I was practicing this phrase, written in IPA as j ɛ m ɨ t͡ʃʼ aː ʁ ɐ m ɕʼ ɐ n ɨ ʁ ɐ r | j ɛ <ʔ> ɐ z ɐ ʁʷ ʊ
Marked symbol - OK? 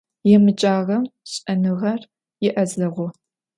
yes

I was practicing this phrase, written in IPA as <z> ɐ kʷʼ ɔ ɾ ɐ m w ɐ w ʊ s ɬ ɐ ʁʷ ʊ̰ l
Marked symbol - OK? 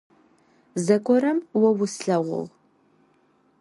yes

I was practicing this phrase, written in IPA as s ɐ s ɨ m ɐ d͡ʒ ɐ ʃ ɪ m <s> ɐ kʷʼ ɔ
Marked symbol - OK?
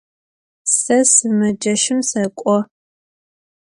yes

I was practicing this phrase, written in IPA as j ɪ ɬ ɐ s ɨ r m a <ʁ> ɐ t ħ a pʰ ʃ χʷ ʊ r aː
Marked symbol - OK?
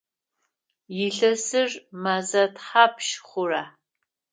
no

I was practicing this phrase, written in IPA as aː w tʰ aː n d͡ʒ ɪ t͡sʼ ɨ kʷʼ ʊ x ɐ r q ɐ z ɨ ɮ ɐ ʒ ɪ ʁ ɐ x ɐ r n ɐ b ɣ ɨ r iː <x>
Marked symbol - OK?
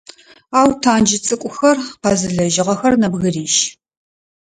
no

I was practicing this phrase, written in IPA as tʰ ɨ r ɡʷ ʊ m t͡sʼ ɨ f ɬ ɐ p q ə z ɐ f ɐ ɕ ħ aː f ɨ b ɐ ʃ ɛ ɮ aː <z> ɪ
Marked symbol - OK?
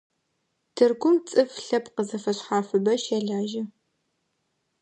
no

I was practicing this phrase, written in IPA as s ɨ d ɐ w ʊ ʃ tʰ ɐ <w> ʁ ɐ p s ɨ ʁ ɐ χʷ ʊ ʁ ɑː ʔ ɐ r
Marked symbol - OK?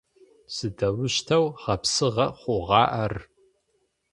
yes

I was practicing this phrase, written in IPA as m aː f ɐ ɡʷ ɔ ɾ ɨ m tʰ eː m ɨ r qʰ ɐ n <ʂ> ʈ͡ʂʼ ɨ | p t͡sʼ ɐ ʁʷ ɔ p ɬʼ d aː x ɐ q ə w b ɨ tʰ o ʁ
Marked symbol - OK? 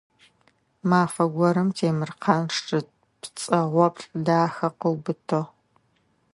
yes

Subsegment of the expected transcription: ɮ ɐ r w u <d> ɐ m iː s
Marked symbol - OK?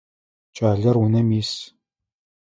no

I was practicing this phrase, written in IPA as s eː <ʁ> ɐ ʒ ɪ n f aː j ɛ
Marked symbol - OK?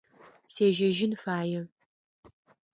no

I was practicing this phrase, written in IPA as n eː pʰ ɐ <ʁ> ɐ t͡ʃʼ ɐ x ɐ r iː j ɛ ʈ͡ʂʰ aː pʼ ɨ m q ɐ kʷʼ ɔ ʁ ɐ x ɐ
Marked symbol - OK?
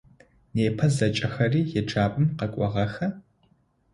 no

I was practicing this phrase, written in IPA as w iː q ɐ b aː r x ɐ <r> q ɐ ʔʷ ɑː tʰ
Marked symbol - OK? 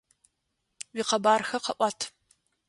no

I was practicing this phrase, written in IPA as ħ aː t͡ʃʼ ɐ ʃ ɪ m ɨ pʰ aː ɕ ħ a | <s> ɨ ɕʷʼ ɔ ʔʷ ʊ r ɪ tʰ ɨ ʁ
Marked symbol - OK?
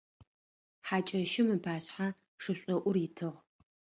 no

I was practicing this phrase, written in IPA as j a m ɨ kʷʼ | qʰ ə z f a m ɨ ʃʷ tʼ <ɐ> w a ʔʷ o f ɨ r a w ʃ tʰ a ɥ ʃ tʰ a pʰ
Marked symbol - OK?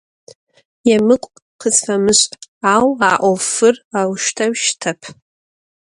no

